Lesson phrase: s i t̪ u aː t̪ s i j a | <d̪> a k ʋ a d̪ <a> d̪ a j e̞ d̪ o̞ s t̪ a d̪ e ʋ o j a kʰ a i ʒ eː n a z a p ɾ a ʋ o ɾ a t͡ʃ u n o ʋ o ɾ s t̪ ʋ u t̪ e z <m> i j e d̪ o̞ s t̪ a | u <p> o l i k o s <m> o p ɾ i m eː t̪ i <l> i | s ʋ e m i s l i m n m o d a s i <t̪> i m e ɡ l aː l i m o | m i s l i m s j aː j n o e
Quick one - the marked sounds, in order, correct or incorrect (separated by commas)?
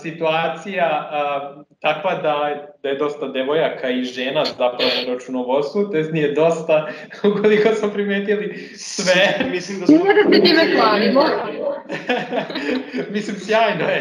incorrect, correct, incorrect, incorrect, correct, correct, correct